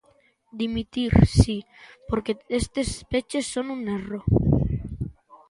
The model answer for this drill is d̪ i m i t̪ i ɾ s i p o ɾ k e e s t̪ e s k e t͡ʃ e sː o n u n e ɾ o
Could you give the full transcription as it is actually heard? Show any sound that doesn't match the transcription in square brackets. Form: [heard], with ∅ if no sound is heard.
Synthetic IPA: d̪ i m i t̪ i ɾ s i p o ɾ k e e s t̪ e s [p] e t͡ʃ e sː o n u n e [r] o